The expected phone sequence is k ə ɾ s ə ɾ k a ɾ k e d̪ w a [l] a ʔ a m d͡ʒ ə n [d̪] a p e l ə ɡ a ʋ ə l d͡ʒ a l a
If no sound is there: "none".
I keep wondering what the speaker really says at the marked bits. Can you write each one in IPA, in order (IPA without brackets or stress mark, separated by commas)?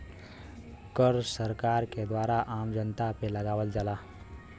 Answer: ɾ, t̪